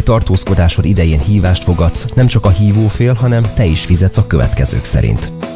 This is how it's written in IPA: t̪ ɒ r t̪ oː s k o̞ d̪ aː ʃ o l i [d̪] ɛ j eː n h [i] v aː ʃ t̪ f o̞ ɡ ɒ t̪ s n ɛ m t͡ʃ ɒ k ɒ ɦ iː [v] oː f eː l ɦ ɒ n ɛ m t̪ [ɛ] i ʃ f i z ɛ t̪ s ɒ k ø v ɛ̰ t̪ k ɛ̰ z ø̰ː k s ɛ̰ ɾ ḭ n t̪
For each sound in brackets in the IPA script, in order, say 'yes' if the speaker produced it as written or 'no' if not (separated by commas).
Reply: yes, no, yes, yes